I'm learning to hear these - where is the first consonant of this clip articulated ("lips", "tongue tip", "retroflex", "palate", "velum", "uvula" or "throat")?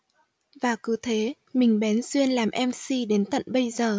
lips